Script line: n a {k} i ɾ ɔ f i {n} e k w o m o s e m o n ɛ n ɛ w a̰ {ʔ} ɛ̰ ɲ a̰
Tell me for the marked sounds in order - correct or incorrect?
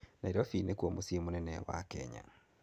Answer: incorrect, correct, incorrect

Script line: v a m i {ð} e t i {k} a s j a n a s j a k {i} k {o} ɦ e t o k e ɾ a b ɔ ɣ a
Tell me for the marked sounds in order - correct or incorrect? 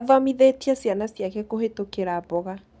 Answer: correct, incorrect, incorrect, correct

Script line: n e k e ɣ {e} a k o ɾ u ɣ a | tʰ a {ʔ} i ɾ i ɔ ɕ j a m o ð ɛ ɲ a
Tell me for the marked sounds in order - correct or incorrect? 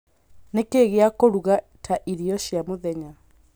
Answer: correct, correct

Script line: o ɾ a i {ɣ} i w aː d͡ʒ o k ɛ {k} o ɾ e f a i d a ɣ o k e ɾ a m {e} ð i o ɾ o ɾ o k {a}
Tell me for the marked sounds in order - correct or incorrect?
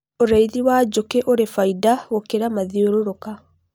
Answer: incorrect, incorrect, incorrect, correct

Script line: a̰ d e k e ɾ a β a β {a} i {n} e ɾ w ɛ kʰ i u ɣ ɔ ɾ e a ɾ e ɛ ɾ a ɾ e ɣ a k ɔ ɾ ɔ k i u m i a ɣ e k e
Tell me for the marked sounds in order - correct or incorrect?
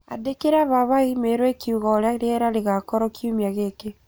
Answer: correct, incorrect

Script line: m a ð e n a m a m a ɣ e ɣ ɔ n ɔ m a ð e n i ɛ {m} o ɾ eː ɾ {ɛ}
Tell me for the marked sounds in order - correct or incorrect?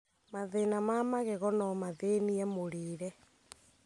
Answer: correct, correct

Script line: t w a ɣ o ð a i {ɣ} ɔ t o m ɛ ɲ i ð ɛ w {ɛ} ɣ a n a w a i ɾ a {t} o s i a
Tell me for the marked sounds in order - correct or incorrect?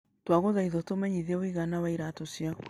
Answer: incorrect, incorrect, correct

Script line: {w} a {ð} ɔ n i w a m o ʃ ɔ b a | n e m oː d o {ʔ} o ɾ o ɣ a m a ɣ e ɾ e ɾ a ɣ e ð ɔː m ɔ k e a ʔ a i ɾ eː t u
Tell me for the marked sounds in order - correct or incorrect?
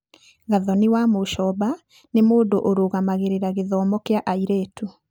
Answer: incorrect, correct, correct

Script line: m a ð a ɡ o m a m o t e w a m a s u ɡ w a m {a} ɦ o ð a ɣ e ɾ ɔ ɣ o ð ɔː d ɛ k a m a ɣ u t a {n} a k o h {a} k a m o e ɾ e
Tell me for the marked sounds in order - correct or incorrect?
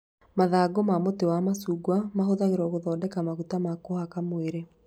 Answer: correct, incorrect, correct

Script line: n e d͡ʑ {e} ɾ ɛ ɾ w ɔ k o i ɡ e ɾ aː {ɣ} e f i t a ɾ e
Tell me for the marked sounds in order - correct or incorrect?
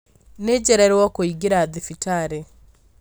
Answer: incorrect, incorrect

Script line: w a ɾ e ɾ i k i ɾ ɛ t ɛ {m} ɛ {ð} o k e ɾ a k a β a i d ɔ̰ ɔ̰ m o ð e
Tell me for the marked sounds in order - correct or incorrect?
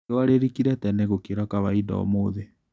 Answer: incorrect, incorrect

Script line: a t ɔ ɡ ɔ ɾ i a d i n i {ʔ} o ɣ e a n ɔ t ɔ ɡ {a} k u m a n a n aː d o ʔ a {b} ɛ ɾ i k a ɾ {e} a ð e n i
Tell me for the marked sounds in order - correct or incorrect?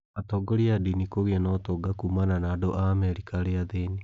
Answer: incorrect, correct, incorrect, correct

